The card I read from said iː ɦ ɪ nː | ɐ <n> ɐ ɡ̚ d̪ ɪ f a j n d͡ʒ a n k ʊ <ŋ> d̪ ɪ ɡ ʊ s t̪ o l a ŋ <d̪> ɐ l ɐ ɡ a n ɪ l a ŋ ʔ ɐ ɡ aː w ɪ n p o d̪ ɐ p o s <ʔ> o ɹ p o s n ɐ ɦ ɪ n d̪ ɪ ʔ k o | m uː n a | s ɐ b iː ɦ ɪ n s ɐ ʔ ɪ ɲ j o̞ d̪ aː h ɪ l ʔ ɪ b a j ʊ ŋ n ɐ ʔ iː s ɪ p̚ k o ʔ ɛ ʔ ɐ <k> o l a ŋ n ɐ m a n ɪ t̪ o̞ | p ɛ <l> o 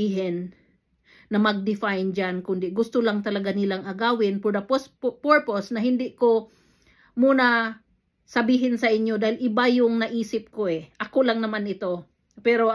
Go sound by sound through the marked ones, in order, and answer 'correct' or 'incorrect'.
incorrect, incorrect, incorrect, incorrect, correct, incorrect

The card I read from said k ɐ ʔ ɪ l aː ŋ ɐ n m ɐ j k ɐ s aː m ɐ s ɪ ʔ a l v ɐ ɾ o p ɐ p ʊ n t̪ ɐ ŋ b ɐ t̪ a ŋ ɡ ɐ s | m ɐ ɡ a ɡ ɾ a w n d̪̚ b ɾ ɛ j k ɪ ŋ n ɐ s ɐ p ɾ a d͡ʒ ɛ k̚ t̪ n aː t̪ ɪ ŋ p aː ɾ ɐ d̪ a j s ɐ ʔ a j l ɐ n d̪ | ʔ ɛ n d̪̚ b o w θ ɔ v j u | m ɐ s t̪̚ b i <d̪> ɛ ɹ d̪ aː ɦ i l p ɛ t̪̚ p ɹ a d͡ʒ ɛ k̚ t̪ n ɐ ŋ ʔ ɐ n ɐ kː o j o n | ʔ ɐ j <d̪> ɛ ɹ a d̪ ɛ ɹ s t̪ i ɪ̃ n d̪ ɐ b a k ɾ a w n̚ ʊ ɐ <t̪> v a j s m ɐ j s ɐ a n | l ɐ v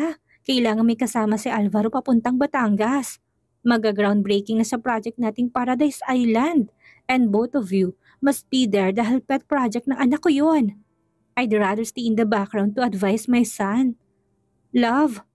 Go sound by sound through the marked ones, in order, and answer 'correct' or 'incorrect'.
correct, correct, incorrect

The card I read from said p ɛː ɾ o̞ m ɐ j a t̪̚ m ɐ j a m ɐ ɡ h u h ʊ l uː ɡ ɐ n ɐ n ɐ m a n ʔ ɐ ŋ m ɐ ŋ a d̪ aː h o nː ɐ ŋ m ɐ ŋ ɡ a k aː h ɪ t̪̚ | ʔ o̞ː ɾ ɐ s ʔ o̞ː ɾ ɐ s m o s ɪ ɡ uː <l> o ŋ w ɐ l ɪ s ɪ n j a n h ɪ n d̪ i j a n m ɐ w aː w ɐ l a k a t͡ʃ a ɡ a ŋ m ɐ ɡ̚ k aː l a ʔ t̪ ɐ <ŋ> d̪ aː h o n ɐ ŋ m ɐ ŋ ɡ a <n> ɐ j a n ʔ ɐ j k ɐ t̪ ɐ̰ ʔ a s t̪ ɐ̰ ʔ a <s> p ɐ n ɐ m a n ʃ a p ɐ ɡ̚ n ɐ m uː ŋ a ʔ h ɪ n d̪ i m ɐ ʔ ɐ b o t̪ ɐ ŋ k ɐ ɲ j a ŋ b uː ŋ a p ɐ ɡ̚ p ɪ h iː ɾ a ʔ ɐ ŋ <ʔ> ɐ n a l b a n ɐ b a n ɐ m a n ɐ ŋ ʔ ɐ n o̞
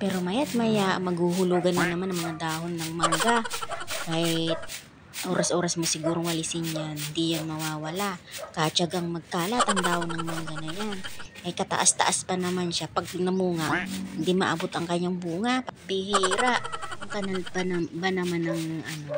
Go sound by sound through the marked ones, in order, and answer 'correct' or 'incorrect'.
incorrect, correct, correct, correct, incorrect

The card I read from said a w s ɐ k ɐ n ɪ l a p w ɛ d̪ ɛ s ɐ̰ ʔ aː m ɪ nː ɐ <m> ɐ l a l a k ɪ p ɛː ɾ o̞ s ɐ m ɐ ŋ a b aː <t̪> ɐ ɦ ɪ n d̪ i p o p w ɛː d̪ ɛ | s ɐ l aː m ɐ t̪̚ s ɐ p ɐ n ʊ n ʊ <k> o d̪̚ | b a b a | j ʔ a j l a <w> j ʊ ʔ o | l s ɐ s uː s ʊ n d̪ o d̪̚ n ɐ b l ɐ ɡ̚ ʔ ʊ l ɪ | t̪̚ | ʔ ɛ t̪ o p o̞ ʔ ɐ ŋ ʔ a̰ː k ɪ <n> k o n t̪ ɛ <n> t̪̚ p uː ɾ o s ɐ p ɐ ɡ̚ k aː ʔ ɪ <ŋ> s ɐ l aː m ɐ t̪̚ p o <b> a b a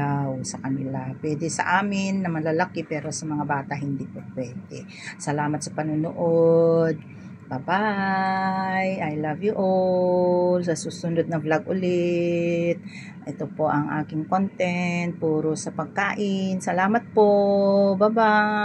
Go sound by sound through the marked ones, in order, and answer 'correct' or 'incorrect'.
correct, correct, incorrect, incorrect, incorrect, correct, incorrect, correct

